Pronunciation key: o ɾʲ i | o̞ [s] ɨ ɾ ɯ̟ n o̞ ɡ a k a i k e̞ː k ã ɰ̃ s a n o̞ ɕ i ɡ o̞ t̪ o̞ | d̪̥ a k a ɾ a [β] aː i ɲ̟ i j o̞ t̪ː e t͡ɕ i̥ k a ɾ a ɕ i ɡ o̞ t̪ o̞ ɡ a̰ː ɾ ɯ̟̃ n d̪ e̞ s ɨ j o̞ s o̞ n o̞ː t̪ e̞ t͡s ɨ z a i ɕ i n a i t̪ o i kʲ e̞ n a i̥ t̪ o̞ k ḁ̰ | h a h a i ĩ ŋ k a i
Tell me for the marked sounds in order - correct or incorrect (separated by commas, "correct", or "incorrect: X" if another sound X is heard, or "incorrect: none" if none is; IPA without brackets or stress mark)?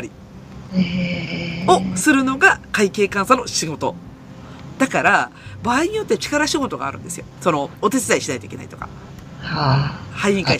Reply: correct, incorrect: b